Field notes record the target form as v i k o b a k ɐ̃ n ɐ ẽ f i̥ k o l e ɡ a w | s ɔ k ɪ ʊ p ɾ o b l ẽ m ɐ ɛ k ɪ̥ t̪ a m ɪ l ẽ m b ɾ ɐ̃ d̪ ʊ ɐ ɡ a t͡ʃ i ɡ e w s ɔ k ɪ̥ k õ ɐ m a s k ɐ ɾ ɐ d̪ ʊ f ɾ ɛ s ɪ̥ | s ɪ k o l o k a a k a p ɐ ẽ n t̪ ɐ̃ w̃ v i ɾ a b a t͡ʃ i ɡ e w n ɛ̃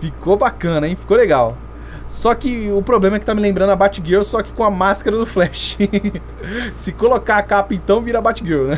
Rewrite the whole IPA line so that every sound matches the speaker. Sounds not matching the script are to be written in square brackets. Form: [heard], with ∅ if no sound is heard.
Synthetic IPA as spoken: [f] i k o b a k ɐ̃ n ɐ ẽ f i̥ k o l e ɡ a w | s ɔ k ɪ ʊ p ɾ o b l ẽ m ɐ ɛ k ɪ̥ t̪ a m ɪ l ẽ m b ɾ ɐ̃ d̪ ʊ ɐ [b] a t͡ʃ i ɡ e w s ɔ k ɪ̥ k õ ɐ m a s k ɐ ɾ ɐ d̪ ʊ f [l] ɛ [ʃ] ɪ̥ | s ɪ k o l o k a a k a p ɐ ẽ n t̪ ɐ̃ w̃ v i ɾ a b a t͡ʃ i ɡ e w n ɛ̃